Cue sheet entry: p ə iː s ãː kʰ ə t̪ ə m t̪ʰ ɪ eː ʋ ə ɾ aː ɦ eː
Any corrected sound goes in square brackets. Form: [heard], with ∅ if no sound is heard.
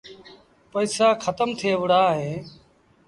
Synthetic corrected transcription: p ə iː s [aː] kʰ ə t̪ ə m t̪ʰ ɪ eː ʋ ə [ɽ] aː ɦ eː